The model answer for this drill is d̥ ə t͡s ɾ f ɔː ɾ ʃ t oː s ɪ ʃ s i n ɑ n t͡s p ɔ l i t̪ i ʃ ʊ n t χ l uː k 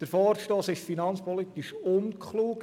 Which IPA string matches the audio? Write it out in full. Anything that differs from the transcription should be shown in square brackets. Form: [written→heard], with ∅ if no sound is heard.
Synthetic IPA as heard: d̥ ə [t͡s→∅] ɾ f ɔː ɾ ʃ t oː s ɪ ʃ [s→f] i n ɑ n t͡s p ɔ l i t̪ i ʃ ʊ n [t→k] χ l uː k